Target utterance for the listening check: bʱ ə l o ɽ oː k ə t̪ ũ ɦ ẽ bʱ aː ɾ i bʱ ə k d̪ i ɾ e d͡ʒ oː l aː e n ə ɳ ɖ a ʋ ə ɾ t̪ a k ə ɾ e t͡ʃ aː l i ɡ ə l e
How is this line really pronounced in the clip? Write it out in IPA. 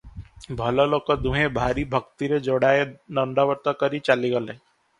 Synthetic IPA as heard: bʱ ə l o l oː k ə d̪ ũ ɦ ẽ bʱ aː ɾ i bʱ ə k t̪ i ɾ e d͡ʒ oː ɽ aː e n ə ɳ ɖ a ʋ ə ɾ t̪ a k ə ɾ i t͡ʃ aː l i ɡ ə l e